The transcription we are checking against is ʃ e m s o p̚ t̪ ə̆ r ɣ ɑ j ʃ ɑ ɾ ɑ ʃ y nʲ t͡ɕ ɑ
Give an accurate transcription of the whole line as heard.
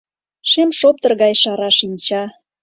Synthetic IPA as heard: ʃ e m ʃ o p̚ t̪ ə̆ r ɣ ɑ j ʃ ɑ ɾ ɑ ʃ i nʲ t͡ɕ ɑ